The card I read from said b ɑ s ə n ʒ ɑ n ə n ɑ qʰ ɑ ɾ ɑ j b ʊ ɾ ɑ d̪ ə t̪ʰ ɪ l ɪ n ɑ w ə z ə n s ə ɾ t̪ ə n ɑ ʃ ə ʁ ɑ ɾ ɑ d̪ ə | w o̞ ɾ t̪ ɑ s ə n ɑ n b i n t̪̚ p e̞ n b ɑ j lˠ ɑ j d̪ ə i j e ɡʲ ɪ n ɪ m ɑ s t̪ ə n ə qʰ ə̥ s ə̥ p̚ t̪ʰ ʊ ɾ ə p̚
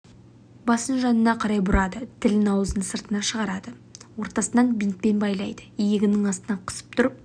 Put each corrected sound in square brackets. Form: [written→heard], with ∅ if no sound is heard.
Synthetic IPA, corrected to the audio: b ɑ s ə n ʒ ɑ n ə n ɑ qʰ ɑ ɾ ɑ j b ʊ ɾ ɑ d̪ ə t̪ʰ ɪ l ɪ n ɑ w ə z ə n s ə ɾ t̪ ə n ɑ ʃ ə ʁ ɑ ɾ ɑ d̪ ə | w o̞ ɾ t̪ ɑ s ə n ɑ n b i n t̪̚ p e̞ n b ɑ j lˠ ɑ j d̪ ə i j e ɡʲ ɪ n ɪ [m→ŋ] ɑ s t̪ ə n [ə→ɑ] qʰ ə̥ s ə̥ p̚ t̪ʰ ʊ ɾ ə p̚